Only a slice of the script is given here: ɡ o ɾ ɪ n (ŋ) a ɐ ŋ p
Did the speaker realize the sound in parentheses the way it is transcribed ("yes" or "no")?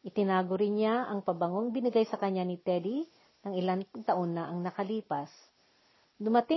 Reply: no